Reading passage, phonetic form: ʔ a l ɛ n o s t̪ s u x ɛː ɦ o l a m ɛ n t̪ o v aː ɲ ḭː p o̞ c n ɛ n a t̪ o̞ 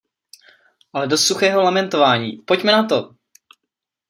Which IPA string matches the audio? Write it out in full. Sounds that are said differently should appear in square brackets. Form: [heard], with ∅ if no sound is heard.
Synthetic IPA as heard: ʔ a l ɛ [d] o s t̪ s u x ɛː ɦ o l a m ɛ n t̪ o v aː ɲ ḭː p o̞ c [m] ɛ n a t̪ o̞